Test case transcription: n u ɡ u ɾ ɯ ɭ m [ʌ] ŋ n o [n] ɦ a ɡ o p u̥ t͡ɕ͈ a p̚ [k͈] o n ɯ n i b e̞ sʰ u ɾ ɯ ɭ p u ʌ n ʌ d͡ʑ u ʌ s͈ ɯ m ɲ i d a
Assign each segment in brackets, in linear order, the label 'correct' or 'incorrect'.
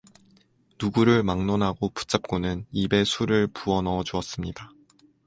incorrect, correct, correct

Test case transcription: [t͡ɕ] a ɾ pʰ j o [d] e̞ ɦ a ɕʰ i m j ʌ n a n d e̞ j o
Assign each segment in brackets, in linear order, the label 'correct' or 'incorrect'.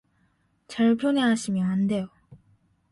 correct, incorrect

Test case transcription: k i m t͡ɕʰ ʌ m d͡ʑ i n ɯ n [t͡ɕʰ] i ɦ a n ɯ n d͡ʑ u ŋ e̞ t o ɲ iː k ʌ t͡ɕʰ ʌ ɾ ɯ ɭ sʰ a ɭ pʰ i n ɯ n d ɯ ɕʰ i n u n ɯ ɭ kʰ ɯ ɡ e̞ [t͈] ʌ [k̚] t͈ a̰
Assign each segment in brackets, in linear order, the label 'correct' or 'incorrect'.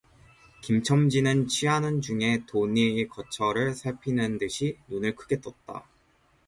correct, correct, incorrect

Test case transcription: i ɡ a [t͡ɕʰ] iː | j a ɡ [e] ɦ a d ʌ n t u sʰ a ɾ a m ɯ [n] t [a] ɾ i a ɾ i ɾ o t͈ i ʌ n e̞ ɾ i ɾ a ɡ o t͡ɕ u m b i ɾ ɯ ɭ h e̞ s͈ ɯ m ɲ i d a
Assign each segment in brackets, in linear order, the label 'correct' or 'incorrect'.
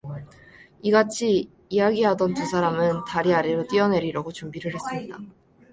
correct, incorrect, correct, correct

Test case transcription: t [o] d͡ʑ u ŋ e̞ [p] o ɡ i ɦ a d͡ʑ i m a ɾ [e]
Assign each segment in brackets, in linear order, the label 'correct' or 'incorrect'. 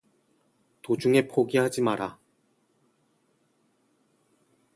correct, incorrect, incorrect

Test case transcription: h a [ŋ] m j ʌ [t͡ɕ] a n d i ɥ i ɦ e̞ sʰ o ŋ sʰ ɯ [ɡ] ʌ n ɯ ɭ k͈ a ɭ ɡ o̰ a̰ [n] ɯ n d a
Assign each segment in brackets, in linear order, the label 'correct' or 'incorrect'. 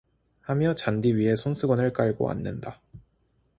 incorrect, correct, correct, incorrect

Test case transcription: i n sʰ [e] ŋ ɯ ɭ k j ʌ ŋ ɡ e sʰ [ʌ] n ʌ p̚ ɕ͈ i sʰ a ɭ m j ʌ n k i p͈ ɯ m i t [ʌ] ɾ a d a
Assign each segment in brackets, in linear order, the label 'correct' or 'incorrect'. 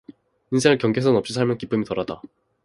correct, correct, correct

